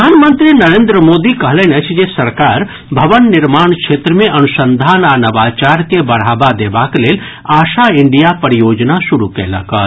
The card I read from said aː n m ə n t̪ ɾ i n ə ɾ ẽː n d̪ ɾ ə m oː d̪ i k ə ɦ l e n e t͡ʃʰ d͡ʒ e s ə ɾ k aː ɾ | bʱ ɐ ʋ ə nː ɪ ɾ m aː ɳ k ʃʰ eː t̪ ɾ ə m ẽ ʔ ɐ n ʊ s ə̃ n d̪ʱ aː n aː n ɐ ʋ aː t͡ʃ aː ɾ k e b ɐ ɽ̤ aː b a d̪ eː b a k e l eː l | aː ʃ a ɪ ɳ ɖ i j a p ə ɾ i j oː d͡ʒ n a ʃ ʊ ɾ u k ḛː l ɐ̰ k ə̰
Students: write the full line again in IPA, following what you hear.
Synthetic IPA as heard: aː n m ə n t̪ ɾ i n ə ɾ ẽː n d̪ ɾ ə m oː d̪ i k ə ɦ l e n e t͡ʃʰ d͡ʒ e s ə ɾ k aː ɾ | bʱ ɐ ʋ ə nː ɪ ɾ m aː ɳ k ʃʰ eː t̪ ɾ ə m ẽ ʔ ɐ n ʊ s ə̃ n d̪ʱ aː n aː n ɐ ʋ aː t͡ʃ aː ɾ k e b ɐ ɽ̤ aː b a d̪ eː b a k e l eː l | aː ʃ a ɪ ɳ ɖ i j a p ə ɾ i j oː d͡ʒ n a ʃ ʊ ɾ u k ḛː l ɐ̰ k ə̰

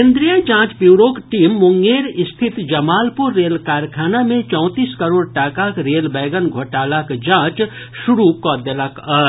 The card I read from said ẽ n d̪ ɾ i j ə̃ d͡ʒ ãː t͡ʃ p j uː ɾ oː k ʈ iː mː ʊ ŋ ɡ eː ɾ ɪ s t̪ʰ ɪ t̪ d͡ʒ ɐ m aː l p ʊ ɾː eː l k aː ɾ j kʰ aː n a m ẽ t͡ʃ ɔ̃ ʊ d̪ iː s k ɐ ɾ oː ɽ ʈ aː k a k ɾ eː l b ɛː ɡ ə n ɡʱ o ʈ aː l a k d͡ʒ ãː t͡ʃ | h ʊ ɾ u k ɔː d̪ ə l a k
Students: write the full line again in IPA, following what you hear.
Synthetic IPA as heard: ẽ n d̪ ɾ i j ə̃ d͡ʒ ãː t͡ʃ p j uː ɾ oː k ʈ iː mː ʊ ŋ ɡ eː ɾ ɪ s t̪ʰ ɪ t̪ d͡ʒ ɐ m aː l p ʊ ɾː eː l k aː ɾ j kʰ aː n a m ẽ t͡ʃ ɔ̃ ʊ t̪ iː s k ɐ ɾ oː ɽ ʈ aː k a k ɾ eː l b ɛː ɡ ə n ɡʱ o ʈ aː l a k d͡ʒ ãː t͡ʃ | ʃ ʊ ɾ u k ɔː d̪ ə l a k

